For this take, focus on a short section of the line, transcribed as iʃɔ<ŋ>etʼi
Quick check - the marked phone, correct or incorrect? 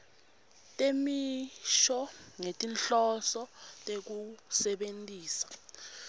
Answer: correct